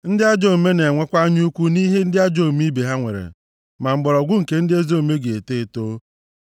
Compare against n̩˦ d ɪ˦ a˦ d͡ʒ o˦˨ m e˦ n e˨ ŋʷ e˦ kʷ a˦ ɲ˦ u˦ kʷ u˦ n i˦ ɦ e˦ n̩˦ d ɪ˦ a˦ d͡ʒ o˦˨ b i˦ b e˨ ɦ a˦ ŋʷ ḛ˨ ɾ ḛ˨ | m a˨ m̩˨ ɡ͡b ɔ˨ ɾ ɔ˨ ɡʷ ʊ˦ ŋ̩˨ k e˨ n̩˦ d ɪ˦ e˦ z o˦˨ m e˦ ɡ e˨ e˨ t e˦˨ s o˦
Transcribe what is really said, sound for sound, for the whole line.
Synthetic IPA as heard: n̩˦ d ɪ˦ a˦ d͡ʒ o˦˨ m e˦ n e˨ ŋʷ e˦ kʷ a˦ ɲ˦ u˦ kʷ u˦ n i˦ ɦ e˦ n̩˦ d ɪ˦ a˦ d͡ʒ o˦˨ m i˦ b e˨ ɦ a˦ ŋʷ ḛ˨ ɾ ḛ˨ | m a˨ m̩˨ ɡ͡b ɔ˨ ɾ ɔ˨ ɡʷ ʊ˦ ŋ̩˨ k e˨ n̩˦ d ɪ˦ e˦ z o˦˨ m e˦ ɡ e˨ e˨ t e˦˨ t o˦